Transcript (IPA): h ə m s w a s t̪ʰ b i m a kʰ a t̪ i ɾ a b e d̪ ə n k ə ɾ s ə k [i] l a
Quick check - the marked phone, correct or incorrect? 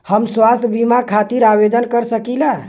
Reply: correct